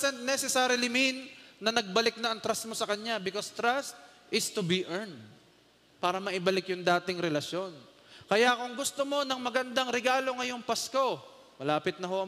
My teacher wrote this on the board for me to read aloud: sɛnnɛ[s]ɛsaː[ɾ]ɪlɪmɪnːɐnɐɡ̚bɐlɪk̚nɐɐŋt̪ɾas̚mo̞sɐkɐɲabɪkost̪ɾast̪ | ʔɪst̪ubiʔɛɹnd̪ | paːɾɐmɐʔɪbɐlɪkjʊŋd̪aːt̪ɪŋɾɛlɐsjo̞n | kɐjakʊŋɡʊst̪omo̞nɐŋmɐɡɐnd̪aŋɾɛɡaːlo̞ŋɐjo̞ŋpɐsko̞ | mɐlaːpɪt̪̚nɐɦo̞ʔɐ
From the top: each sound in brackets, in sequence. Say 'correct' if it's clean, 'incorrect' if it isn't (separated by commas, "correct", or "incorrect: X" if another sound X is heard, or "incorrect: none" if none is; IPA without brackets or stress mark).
correct, correct